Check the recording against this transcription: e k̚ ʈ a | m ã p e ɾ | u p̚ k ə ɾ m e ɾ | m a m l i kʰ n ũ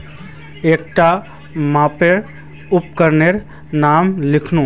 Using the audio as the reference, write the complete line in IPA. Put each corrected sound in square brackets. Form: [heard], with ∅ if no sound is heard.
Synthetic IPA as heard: e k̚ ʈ a | m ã p e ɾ | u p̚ k ə ɾ [n] e ɾ | [n] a m l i kʰ n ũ